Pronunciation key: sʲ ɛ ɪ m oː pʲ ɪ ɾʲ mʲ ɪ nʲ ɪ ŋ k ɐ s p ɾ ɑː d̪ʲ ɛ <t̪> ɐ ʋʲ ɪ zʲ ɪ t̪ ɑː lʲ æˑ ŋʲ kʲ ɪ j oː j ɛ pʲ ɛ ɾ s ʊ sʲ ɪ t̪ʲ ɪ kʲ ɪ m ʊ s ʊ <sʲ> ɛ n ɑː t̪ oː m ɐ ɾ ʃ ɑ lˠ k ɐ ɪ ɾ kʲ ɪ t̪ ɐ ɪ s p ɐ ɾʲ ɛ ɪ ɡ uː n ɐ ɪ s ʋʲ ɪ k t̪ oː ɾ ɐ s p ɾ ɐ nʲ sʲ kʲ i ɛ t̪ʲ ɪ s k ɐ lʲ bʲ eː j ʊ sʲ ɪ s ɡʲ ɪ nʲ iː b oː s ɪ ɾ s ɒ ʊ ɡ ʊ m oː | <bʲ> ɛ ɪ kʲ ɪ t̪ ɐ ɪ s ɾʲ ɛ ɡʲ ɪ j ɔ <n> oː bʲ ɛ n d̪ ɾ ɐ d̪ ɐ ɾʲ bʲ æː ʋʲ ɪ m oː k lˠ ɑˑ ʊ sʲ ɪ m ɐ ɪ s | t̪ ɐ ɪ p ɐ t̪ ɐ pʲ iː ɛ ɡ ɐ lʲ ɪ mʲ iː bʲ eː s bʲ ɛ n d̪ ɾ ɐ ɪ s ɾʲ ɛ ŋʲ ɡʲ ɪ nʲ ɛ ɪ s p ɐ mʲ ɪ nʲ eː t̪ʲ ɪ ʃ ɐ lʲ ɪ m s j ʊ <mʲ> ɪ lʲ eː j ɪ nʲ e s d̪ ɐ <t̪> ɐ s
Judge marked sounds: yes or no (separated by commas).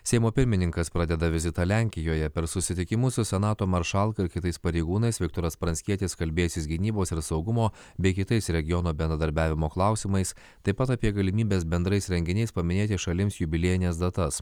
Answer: no, yes, yes, yes, no, yes